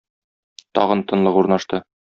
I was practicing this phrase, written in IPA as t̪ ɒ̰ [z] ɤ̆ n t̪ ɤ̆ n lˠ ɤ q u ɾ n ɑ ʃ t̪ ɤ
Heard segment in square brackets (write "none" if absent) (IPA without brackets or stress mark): ʁ